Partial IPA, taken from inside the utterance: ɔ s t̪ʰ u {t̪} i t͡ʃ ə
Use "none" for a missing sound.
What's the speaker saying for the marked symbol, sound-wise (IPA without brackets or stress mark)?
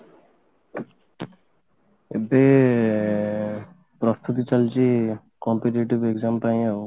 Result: t̪